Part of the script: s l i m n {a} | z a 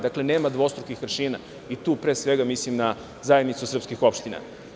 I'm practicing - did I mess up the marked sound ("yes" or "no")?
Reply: no